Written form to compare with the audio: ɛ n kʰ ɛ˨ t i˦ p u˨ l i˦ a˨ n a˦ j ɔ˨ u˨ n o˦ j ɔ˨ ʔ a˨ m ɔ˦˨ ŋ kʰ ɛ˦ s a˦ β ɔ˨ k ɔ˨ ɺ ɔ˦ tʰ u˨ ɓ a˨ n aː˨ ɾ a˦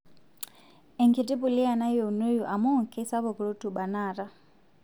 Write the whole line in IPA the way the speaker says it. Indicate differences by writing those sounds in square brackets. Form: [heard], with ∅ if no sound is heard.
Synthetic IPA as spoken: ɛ [ŋ] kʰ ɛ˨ t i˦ p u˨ l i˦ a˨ n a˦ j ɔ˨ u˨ n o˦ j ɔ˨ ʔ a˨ m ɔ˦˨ ŋ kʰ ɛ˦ s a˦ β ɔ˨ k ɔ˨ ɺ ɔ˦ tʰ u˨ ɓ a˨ n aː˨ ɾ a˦